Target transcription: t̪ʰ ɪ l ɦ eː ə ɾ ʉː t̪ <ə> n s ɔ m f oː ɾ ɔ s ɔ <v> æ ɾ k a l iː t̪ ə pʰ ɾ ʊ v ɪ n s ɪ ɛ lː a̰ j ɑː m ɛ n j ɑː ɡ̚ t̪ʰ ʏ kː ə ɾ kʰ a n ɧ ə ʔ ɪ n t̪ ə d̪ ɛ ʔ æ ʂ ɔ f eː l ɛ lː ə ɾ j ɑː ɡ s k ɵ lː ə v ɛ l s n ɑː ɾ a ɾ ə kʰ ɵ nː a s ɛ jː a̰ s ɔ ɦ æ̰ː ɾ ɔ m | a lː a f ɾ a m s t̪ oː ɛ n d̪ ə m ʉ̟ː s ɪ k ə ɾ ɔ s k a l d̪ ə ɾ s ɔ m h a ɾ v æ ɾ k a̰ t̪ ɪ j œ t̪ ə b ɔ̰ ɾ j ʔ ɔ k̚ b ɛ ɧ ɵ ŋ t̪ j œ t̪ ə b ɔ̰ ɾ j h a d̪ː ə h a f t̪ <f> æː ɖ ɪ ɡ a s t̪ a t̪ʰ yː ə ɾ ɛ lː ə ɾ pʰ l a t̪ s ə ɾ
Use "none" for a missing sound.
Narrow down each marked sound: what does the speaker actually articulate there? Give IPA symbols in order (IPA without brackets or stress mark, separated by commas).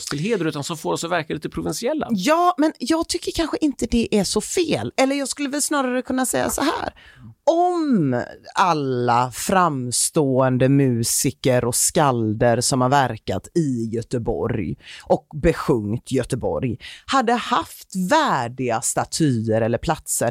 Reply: a, v, v